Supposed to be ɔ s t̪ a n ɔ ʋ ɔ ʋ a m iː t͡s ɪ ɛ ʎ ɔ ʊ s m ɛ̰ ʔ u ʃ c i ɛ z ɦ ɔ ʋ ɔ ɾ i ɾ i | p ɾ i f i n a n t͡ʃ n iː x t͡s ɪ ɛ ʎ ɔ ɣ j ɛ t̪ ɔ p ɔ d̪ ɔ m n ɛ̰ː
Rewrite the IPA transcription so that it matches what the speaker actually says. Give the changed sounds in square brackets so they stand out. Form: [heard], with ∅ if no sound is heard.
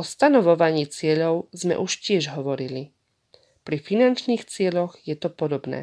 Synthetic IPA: ɔ s t̪ a n ɔ ʋ ɔ ʋ a [ɲ] iː t͡s ɪ ɛ ʎ ɔ ʊ [z] m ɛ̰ ʔ u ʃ c [ɪ] ɛ [ʒ] ɦ ɔ ʋ ɔ ɾ i [l] i | p ɾ i f i n a n t͡ʃ n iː x t͡s ɪ ɛ ʎ ɔ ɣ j ɛ t̪ ɔ p ɔ d̪ ɔ [b] n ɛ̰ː